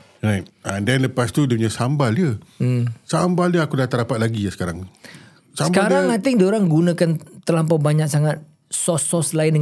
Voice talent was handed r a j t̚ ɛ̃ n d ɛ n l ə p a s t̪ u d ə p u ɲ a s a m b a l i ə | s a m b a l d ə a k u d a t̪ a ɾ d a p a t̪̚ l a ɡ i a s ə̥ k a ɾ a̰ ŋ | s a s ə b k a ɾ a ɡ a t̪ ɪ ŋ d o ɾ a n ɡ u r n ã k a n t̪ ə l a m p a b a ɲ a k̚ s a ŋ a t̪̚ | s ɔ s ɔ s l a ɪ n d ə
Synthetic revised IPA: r a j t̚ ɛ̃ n d ɛ n l ə p a s t̪ u d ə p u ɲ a s a m b a l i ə | s a m b a l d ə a k u d a t̪ a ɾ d a p a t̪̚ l a ɡ i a s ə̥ k a ɾ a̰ ŋ | s a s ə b k a ɾ a ŋ a t̪ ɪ ŋ d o ɾ a ŋ ɡ u n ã k a n t̪ ə l a m p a b a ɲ a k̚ s a ŋ a t̪̚ | s ɔ s ɔ s l a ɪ n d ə